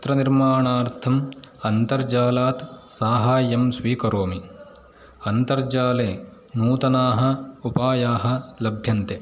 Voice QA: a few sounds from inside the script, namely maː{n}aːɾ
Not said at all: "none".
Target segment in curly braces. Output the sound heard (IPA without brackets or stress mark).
ɳ